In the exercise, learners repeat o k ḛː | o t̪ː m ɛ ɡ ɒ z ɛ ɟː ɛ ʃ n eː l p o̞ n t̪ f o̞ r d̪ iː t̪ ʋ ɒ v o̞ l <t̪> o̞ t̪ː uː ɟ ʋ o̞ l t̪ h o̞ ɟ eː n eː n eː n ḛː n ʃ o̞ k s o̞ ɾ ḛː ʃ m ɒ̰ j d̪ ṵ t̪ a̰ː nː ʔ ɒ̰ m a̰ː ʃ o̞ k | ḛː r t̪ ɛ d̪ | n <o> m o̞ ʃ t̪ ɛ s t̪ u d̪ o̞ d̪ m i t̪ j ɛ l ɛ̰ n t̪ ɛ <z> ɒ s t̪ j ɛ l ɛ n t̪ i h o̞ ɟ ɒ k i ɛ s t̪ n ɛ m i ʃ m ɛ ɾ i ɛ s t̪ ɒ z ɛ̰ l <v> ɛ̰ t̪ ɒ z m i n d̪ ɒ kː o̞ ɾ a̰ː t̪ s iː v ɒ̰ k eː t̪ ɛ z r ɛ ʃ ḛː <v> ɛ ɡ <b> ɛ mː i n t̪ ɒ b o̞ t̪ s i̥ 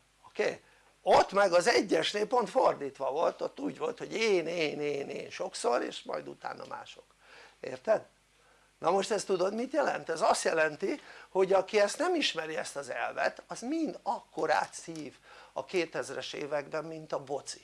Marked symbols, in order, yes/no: yes, no, yes, yes, yes, yes

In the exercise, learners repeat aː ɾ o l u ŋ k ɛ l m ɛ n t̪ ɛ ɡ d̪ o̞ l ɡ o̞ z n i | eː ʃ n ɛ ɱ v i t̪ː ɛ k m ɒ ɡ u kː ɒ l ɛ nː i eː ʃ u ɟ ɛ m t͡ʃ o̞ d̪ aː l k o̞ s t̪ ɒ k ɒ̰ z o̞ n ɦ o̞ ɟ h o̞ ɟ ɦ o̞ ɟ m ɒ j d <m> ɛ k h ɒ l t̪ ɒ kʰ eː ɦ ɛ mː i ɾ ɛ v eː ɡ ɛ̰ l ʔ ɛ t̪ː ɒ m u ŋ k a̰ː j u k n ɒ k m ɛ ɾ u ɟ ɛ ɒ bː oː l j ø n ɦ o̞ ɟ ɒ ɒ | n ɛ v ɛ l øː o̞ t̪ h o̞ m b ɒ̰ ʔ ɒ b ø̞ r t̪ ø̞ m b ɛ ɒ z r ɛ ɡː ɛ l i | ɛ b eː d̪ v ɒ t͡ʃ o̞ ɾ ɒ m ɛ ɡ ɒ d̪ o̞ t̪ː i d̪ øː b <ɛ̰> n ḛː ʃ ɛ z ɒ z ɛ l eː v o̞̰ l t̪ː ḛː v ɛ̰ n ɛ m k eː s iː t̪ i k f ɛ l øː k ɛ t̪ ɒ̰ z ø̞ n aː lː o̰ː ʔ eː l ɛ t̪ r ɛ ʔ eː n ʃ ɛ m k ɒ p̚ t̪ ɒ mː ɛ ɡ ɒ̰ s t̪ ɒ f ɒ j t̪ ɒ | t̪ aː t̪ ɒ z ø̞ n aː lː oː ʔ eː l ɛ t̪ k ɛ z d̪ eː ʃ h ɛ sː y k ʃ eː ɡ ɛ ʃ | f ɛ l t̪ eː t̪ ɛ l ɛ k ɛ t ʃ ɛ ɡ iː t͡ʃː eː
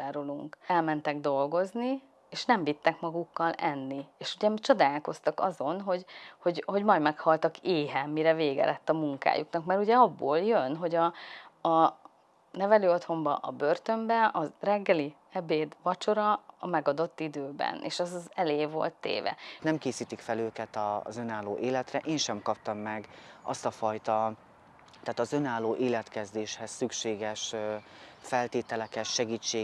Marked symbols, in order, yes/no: yes, yes

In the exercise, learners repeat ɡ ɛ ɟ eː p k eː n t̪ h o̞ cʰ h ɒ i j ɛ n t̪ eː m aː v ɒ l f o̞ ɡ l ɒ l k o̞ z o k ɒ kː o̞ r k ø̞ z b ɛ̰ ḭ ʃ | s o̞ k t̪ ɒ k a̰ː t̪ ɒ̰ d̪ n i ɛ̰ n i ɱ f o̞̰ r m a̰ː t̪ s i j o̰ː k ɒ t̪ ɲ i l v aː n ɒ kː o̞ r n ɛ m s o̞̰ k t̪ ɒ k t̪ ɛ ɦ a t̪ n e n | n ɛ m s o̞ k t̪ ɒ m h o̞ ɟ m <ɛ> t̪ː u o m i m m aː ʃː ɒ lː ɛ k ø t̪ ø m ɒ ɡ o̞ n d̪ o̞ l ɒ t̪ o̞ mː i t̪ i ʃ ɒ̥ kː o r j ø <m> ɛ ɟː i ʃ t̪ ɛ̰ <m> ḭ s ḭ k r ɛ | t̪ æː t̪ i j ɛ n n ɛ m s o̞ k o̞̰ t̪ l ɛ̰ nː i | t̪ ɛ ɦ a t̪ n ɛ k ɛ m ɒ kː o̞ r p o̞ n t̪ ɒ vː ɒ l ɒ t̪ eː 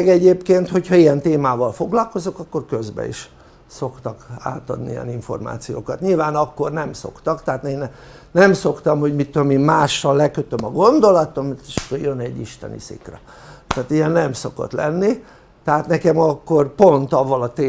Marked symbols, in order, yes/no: no, no, no

